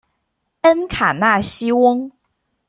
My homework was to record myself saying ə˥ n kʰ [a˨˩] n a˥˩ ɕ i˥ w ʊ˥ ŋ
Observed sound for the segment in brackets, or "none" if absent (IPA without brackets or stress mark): a˨˩